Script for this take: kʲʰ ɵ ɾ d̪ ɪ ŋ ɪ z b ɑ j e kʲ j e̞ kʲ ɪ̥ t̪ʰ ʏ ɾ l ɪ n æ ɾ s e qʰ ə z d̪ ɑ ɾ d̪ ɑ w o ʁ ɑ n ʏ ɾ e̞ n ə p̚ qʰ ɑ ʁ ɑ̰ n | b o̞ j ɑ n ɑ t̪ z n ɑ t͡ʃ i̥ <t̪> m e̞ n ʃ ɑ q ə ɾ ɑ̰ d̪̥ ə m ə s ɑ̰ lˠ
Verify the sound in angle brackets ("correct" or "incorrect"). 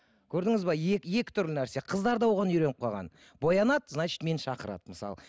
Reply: correct